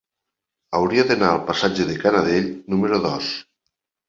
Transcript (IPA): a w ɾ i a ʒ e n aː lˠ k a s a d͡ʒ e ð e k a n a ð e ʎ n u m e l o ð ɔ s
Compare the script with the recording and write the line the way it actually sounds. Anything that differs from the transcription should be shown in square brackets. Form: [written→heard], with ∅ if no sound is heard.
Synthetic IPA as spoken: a w ɾ i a [ʒ→ð] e n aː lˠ [k→p] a s a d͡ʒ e ð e k a n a ð e ʎ n u m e [l→ɾ] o ð ɔ s